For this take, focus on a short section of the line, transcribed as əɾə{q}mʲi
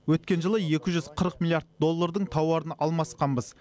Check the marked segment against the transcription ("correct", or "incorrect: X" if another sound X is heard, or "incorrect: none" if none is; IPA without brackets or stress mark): correct